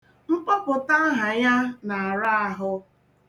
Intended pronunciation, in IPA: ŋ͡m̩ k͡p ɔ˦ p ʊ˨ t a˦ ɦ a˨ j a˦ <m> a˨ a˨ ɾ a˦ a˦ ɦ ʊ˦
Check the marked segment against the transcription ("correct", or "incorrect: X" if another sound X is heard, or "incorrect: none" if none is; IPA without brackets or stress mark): incorrect: n